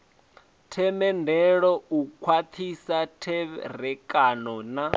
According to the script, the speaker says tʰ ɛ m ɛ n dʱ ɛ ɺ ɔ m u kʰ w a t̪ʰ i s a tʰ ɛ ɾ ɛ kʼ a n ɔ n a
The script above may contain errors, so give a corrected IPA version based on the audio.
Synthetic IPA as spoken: tʰ ɛ m ɛ n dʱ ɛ ɺ ɔ u kʰ w a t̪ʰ i s a tʰ ɛ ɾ ɛ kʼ a n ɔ n a